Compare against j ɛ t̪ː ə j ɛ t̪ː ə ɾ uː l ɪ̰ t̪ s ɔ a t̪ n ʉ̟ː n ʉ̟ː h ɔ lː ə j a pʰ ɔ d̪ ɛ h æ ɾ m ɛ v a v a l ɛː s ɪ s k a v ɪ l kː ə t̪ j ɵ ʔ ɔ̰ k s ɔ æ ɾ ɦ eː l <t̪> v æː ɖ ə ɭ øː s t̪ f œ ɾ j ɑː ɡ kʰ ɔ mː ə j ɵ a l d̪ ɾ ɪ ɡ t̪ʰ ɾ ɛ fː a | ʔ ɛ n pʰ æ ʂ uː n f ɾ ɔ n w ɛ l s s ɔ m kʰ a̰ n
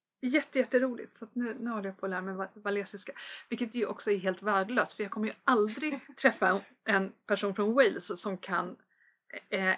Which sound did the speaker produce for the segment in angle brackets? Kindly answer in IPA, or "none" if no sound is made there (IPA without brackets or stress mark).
t̪